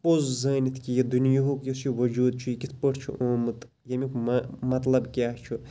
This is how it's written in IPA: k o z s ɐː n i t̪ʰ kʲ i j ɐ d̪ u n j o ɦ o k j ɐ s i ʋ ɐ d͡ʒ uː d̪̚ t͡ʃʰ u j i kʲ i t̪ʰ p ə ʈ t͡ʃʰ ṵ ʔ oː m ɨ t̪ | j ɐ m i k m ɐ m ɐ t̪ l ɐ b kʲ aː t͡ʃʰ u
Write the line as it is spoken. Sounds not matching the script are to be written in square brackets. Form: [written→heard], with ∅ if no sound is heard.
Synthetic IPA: [k→p] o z [s→z] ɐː n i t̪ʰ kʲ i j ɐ d̪ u n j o ɦ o k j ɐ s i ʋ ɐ d͡ʒ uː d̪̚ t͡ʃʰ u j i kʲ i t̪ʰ p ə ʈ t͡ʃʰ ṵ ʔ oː m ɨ t̪ | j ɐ m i k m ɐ m ɐ t̪ l ɐ b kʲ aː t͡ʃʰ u